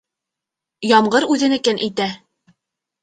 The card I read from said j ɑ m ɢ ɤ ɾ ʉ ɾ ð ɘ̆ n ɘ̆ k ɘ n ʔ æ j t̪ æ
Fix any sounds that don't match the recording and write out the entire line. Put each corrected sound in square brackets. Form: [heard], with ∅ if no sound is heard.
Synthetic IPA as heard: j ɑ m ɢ ɤ ɾ ʉ [∅] ð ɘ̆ n ɘ̆ k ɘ n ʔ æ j t̪ æ